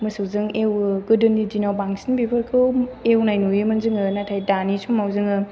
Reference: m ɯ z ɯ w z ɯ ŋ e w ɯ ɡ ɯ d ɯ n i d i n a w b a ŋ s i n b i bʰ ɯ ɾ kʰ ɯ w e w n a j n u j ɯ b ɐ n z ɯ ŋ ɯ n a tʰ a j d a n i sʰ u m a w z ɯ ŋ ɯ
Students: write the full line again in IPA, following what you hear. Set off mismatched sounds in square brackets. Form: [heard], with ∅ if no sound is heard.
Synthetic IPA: m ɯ [s] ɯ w z ɯ ŋ e w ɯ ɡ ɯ d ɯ n i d i n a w b a ŋ s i n b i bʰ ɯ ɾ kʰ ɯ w e w n a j n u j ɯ [m] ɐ n z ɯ ŋ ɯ n a tʰ a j d a n i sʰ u m a w z ɯ ŋ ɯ

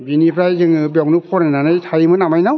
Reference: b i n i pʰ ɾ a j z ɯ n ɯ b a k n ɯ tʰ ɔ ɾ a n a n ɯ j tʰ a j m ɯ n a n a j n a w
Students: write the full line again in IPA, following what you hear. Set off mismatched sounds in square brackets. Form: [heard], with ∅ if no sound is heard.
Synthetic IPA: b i n i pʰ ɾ a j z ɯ [ŋ] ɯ b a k n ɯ [pʰ] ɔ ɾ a n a n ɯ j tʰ a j m ɯ n a [m] a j n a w

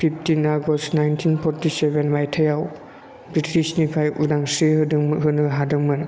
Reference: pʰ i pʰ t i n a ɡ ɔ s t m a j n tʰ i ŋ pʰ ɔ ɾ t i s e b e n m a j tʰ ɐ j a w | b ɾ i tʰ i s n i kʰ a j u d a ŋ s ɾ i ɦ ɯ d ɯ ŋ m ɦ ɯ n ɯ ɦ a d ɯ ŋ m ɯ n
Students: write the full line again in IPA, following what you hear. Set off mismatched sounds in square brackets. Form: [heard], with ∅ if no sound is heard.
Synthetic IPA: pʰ i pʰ t i n a ɡ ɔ s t [n] a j n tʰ i [n] pʰ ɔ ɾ t i s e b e n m a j tʰ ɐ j a w | b ɾ i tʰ i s n i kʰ a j u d a ŋ s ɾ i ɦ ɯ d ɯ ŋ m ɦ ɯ n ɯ ɦ a d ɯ ŋ m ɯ n

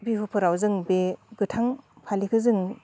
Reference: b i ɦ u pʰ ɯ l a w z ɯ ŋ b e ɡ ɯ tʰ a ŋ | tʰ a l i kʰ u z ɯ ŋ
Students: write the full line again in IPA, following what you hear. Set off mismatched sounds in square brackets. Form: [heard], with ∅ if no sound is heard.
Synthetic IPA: b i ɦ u pʰ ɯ [ɾ] a w z ɯ ŋ b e ɡ ɯ tʰ a ŋ | [pʰ] a l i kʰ [ɯ] z ɯ ŋ

